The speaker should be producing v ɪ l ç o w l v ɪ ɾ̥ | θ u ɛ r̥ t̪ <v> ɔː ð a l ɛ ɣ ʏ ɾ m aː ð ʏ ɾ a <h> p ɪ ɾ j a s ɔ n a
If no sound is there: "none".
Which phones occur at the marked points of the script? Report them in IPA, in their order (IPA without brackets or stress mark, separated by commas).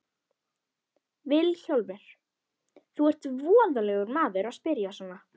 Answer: v, s